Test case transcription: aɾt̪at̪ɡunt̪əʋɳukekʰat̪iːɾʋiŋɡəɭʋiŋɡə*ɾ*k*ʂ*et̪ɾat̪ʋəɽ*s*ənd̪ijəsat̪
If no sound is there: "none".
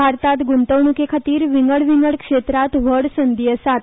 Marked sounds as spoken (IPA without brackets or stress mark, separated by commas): ɭ, ʂ, s